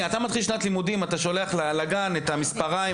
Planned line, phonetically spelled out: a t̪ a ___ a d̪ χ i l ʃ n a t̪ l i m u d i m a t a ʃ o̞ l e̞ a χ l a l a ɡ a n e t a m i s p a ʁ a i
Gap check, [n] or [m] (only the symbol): m